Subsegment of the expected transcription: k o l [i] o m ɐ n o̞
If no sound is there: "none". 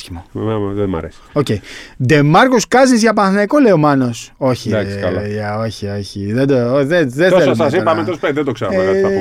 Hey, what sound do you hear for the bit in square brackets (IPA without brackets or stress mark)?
e